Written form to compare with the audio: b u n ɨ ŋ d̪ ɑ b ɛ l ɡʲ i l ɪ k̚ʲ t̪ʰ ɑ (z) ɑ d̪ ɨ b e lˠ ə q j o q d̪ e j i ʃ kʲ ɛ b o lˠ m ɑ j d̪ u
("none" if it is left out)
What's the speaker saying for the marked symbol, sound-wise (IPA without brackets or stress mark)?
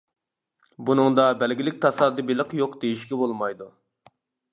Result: s